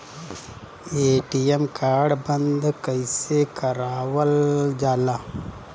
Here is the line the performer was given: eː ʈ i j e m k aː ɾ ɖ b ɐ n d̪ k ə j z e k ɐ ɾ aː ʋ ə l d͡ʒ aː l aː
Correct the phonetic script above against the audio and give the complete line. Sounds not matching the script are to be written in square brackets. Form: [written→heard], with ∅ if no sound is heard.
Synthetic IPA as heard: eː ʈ i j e m k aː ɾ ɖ b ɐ n d̪ k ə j [z→s] e k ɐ ɾ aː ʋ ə l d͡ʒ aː l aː